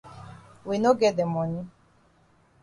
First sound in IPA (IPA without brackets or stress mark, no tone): w